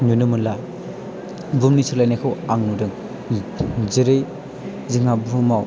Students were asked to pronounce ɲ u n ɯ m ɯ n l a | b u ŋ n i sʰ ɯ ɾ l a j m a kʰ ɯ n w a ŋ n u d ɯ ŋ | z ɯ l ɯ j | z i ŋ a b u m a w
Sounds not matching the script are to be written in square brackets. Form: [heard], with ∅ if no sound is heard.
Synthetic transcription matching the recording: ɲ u n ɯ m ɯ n l a | b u [m] n i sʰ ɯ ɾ l a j [n] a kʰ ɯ [∅] w a ŋ n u d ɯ ŋ | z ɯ [ɾ] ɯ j | z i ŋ a b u m a w